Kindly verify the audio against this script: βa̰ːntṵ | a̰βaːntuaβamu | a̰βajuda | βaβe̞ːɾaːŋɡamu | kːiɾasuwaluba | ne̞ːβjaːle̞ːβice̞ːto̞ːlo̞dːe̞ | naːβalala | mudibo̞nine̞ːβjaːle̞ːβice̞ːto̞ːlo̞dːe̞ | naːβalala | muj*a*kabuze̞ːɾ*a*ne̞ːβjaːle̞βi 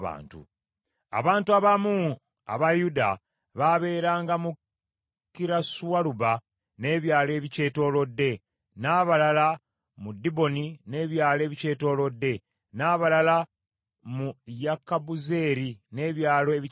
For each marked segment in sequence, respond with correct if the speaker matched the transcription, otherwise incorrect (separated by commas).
correct, incorrect